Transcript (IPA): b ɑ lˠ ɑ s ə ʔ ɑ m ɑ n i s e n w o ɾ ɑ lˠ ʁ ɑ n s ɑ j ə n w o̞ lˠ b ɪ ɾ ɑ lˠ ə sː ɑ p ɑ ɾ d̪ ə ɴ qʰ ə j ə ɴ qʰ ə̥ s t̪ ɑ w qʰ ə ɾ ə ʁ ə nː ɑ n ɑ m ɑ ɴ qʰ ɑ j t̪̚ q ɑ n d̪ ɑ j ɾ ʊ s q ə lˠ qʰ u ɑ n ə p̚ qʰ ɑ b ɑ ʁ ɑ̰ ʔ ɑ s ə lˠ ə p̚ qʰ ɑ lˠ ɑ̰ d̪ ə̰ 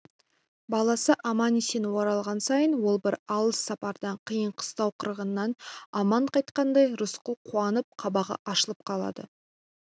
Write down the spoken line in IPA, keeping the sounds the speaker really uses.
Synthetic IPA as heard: b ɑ lˠ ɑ s ə ʔ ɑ m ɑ n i s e n w o ɾ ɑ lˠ ʁ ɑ n s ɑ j ə n w o̞ lˠ b ɪ ɾ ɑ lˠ ə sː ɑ p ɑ ɾ d̪ ɑ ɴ qʰ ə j ə ɴ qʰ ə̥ s t̪ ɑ w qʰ ə ɾ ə ʁ ə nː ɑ n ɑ m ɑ ɴ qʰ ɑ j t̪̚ q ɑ n d̪ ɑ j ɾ ʊ s q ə lˠ qʰ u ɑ n ə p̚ qʰ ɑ b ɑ ʁ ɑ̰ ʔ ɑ ʃ ə lˠ ə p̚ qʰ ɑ lˠ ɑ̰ d̪ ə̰